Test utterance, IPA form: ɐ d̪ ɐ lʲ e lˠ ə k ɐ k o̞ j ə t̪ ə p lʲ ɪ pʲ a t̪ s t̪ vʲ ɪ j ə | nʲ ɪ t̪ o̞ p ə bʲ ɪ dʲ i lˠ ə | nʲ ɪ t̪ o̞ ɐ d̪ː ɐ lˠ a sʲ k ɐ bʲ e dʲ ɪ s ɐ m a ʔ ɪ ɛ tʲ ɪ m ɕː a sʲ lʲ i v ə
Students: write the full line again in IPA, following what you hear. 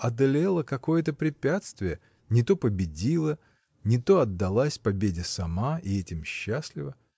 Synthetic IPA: ɐ d̪ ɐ lʲ e lˠ ə k ɐ k o̞ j ə t̪ ə p ɾʲ ɪ pʲ a t̪ s t̪ vʲ ɪ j ə | nʲ ɪ t̪ o̞ p ə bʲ ɪ dʲ i lˠ ə | nʲ ɪ t̪ o̞ ɐ d̪ː ɐ lˠ a sʲ p ɐ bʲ e dʲ ɪ s ɐ m a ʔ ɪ ɛ tʲ ɪ m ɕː a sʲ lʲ ɪ v ə